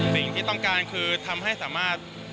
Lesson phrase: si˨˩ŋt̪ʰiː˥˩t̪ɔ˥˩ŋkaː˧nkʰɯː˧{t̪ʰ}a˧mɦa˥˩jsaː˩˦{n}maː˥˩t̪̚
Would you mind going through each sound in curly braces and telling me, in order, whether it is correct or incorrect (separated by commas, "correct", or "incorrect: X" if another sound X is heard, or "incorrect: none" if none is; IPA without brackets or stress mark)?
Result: correct, incorrect: none